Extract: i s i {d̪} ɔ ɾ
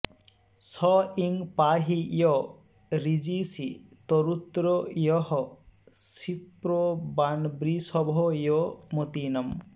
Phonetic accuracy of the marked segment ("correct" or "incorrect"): incorrect